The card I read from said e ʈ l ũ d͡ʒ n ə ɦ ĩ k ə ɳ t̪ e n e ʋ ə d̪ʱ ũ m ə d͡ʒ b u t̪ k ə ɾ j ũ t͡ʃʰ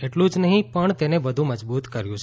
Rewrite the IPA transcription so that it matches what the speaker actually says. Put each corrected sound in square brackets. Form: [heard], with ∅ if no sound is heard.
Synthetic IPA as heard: e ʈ l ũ d͡ʒ n ə ɦ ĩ [p] ə ɳ t̪ e n e ʋ ə d̪ʱ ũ m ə d͡ʒ b u t̪ k ə ɾ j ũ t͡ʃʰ